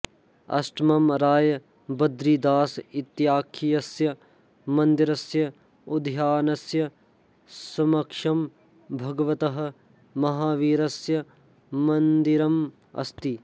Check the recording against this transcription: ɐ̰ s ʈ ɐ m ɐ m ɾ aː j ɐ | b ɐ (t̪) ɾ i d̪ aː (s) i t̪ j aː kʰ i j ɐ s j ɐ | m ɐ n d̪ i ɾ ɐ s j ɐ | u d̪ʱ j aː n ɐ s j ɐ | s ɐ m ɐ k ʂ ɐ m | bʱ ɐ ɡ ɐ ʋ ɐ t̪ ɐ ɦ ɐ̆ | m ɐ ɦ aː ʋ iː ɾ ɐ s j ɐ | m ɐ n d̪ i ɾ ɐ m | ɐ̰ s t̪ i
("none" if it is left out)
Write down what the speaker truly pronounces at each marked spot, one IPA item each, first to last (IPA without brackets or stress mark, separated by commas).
d̪, s